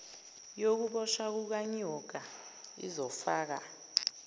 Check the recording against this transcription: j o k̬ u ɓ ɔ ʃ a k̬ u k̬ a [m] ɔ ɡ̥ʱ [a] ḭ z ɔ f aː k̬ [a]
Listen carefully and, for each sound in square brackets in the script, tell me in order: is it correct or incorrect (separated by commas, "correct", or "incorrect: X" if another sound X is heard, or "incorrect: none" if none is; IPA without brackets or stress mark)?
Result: incorrect: ɲ, correct, correct